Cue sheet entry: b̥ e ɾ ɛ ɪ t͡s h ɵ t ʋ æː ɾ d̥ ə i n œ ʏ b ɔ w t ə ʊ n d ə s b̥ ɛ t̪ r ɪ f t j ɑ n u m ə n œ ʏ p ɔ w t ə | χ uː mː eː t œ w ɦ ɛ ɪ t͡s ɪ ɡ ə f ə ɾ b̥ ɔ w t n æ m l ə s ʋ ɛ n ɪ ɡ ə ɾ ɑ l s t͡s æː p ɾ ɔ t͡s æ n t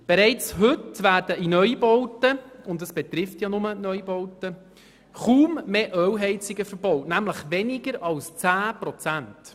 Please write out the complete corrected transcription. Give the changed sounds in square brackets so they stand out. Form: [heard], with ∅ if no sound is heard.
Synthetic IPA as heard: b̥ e ɾ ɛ ɪ t͡s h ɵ t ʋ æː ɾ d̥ ə i n œ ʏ b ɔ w t ə ʊ n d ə s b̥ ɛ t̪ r ɪ f t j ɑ n [ʊ] m ə n œ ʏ [b] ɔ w t ə | χ uː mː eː [ʔ] œ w ɦ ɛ ɪ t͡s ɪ ɡ ə f ə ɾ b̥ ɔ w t n æ m l ə [χ] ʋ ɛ n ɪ ɡ ə ɾ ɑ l s t͡s æː p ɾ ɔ t͡s æ n t

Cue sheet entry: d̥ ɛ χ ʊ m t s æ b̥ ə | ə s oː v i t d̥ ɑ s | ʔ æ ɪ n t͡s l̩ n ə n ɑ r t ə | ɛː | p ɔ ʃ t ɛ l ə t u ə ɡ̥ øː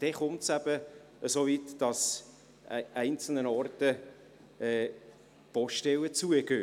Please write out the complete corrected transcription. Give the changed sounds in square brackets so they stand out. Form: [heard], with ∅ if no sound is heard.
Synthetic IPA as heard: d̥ ɛ χ ʊ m t s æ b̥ ə | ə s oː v i t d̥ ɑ s | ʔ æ ɪ n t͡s l̩ n ə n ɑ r t ə | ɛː | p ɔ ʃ t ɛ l ə [t͡s] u ə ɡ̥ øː

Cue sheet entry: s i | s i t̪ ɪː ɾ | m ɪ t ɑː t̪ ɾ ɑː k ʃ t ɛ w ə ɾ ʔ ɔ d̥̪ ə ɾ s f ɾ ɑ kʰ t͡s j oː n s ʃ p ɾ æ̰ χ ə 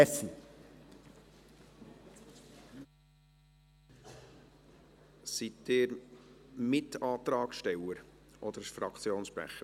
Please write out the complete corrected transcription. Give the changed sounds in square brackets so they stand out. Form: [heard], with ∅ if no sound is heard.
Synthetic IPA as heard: s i | s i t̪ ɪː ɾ | m ɪ t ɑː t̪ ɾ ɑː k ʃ t ɛ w ə ɾ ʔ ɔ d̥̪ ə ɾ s f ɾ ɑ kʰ t͡s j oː n s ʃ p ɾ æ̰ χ ə

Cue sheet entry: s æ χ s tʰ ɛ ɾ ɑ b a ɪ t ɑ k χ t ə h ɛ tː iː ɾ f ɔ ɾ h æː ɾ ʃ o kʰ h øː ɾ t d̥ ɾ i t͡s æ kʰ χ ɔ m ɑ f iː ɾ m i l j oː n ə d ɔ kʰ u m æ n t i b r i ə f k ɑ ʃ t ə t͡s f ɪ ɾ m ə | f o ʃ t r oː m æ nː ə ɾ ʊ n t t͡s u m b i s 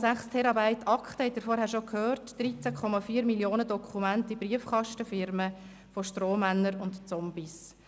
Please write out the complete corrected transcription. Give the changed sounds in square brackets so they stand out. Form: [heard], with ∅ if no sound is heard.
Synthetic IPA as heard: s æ χ s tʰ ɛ ɾ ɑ b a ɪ t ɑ k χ t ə h ɛ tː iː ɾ f ɔ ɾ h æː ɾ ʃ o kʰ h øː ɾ t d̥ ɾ i t͡s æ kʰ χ ɔ m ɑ f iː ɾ m i l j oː n ə d ɔ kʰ u m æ n t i b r i ə f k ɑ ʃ t ə [∅] f ɪ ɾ m ə | f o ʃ t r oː m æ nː ə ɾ ʊ n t t͡s [ɔ] m b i s

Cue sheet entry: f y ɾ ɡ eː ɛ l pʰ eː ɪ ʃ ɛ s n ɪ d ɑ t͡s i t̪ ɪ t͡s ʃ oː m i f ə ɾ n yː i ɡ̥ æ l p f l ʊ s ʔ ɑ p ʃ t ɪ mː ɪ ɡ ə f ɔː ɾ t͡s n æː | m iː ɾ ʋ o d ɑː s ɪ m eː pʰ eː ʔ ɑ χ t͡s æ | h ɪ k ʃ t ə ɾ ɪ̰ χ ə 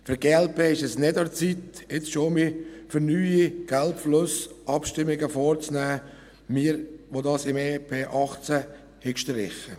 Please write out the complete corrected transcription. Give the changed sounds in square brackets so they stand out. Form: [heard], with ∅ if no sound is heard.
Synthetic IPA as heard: f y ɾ ɡ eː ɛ l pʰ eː ɪ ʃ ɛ s n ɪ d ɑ t͡s i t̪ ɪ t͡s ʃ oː m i f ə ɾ n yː i ɡ̥ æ l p f l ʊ s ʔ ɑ p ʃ t ɪ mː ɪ ɡ ə f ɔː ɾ t͡s n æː | m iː ɾ ʋ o d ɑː s ɪ m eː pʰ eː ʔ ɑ χ t͡s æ | h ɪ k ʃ t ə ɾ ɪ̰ χ ə

